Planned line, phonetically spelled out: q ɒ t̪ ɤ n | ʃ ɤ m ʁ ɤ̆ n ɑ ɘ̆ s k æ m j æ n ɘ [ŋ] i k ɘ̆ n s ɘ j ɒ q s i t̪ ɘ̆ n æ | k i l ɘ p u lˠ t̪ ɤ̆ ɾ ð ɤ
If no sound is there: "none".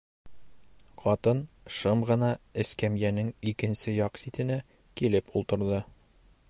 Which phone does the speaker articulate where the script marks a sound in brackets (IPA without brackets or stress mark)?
ŋ